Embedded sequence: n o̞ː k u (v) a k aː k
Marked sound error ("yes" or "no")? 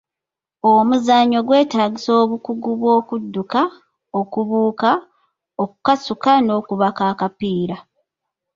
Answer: yes